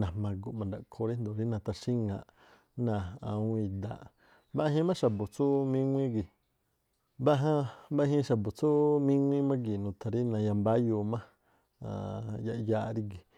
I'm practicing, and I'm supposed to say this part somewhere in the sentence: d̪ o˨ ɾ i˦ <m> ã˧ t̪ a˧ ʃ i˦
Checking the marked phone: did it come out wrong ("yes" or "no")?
yes